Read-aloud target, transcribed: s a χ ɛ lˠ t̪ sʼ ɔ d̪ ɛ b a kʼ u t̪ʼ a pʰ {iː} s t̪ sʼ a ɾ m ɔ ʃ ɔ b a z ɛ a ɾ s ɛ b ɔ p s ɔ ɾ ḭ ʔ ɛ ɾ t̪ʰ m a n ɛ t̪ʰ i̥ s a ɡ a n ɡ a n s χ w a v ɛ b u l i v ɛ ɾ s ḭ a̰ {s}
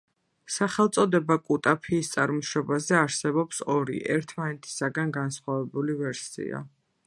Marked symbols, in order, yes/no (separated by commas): yes, no